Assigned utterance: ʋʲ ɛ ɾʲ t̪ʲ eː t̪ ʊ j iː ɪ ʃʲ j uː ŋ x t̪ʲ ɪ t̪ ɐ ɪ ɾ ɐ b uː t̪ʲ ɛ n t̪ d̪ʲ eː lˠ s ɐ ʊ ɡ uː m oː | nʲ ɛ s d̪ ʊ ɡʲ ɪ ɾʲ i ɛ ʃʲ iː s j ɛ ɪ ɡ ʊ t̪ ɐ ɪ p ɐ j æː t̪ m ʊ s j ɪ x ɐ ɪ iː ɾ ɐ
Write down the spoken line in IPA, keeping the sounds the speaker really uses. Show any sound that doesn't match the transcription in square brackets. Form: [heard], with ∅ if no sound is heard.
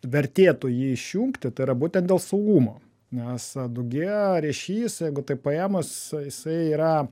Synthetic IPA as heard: ʋʲ ɛ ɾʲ t̪ʲ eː t̪ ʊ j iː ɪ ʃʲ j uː ŋ [k] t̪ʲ ɪ t̪ ɐ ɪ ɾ ɐ b uː t̪ʲ ɛ n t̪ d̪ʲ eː lˠ s ɐ ʊ ɡ uː m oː | nʲ ɛ s d̪ ʊ ɡʲ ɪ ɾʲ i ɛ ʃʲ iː s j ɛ ɪ ɡ ʊ t̪ ɐ ɪ p ɐ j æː [∅] m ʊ s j ɪ [s] ɐ ɪ iː ɾ ɐ